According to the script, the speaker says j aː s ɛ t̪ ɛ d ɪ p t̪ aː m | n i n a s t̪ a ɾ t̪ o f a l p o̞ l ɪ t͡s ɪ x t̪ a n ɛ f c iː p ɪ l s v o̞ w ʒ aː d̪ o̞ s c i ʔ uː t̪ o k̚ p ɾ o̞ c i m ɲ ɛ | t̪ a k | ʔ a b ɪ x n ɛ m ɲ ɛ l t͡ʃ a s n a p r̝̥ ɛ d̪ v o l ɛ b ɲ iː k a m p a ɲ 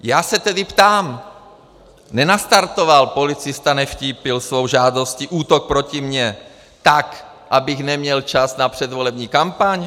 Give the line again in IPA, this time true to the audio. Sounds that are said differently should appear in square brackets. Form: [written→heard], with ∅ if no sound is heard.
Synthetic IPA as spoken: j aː s ɛ t̪ ɛ d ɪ p t̪ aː m | n [i→ɛ] n a s t̪ a ɾ t̪ o [f→v] a l p o̞ l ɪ t͡s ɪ [x→s] t̪ a n ɛ f c iː p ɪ l s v o̞ w ʒ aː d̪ o̞ s c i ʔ uː t̪ o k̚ p ɾ o̞ c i m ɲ ɛ | t̪ a k | ʔ a b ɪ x n ɛ m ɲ ɛ l t͡ʃ a s n a p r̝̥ ɛ d̪ v o l ɛ b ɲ iː k a m p a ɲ

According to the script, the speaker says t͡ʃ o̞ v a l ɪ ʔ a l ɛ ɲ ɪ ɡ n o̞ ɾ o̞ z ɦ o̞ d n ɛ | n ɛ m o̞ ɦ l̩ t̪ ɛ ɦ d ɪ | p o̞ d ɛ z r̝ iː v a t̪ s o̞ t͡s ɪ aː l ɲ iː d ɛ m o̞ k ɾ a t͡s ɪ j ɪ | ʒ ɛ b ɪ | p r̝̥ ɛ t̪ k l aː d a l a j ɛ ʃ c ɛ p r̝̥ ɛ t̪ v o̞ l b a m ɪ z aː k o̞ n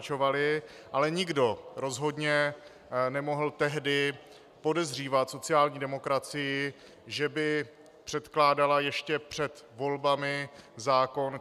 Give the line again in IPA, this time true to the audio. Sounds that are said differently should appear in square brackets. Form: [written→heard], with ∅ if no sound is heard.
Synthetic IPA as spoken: t͡ʃ o̞ v a l ɪ ʔ a l ɛ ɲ ɪ ɡ [n→d] o̞ ɾ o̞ z ɦ o̞ d [n→ɲ] ɛ | n ɛ m o̞ ɦ l̩ t̪ ɛ ɦ d ɪ | p o̞ d ɛ z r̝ iː v a t̪ s o̞ t͡s ɪ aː l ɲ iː d ɛ m o̞ k ɾ a t͡s ɪ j ɪ | ʒ ɛ b ɪ | p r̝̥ ɛ t̪ k l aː d a l a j ɛ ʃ c ɛ p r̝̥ ɛ t̪ v o̞ l b a m ɪ z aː k o̞ n

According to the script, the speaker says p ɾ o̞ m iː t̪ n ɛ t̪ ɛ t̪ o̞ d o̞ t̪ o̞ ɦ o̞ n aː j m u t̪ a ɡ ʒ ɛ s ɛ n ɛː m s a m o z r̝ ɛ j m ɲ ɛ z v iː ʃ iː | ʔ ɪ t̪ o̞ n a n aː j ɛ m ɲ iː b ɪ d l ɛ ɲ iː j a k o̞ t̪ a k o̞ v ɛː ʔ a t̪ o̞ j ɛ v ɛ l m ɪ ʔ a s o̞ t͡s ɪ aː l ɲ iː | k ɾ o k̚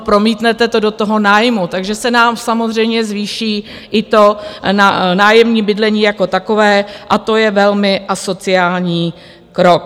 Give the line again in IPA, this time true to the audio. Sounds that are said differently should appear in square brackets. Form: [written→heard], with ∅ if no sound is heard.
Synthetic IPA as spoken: p ɾ o̞ m iː t̪ n ɛ t̪ ɛ t̪ o̞ d o̞ t̪ o̞ ɦ o̞ n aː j m u t̪ a ɡ ʒ ɛ s ɛ n [ɛː→aː] m s a m o z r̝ ɛ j m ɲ ɛ z v iː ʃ iː | ʔ ɪ t̪ o̞ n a n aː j ɛ m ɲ iː b ɪ d l ɛ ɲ iː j a k o̞ t̪ a k o̞ v ɛː ʔ a t̪ o̞ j ɛ v ɛ l m ɪ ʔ a s o̞ t͡s ɪ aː l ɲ iː | k ɾ o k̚

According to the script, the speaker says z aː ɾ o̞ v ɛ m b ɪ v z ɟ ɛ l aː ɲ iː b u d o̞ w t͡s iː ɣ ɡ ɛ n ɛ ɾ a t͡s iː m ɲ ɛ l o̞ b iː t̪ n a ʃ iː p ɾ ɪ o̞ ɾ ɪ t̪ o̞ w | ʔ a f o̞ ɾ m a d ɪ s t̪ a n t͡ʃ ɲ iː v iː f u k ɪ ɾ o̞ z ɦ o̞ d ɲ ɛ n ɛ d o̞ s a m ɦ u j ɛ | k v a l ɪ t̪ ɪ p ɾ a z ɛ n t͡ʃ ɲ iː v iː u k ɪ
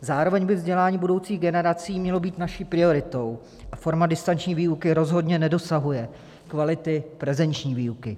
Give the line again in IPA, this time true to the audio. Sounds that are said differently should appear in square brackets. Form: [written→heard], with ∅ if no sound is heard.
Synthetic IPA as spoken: z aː ɾ o̞ v ɛ [m→ɲ] b ɪ v z ɟ ɛ l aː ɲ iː b u d o̞ w t͡s iː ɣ ɡ ɛ n ɛ ɾ a t͡s iː m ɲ ɛ l o̞ b iː t̪ n a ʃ iː p ɾ ɪ o̞ ɾ ɪ t̪ o̞ w | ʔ a f o̞ ɾ m a d ɪ s t̪ a n t͡ʃ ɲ iː v iː [f→∅] u k ɪ ɾ o̞ z ɦ o̞ d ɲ ɛ n ɛ d o̞ s a [m→∅] ɦ u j ɛ | k v a l ɪ t̪ ɪ p ɾ [a→ɛ] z ɛ n t͡ʃ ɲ iː v iː u k ɪ

